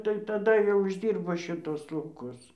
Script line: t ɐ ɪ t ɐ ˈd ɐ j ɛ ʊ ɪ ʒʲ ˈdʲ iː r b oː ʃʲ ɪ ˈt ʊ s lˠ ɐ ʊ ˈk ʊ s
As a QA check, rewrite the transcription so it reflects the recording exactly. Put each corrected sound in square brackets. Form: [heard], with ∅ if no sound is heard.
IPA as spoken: t ɐ ɪ t ɐ ˈd ɐ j ɛ ʊ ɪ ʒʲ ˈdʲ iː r b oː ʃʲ ɪ ˈt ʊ s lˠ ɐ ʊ ˈk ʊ s